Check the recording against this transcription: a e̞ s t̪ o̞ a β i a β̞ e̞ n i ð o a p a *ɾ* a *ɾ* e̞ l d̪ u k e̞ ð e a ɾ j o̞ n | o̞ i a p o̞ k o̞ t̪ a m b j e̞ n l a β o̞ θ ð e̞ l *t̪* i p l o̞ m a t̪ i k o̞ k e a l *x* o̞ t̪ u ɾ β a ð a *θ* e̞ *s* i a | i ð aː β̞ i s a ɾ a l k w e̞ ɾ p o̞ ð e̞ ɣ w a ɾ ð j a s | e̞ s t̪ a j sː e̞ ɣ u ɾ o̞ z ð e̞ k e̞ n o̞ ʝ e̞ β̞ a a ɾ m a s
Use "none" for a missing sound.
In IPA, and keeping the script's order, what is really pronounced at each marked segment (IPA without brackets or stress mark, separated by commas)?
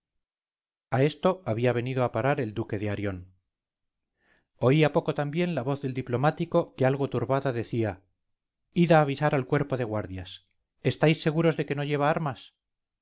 ɾ, ɾ, d̪, ɣ, ð, θ